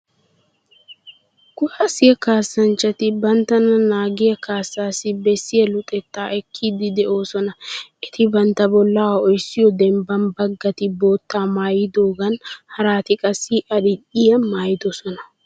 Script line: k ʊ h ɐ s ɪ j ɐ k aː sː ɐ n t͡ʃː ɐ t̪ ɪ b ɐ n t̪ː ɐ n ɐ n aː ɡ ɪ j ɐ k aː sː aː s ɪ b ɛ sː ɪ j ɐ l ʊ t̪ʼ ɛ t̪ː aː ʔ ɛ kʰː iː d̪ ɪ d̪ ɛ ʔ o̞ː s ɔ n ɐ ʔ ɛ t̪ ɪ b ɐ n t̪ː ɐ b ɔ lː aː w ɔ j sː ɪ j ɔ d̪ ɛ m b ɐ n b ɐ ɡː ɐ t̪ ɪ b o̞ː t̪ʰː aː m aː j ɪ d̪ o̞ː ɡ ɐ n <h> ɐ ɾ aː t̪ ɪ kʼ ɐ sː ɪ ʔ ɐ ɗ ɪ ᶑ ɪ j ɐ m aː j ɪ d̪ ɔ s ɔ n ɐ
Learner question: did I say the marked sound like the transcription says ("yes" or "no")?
yes